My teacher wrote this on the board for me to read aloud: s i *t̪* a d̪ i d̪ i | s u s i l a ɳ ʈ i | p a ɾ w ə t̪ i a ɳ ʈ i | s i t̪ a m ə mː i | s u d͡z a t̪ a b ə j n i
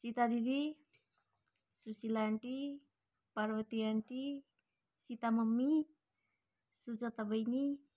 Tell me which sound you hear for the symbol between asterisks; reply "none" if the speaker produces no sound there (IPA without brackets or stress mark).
t̪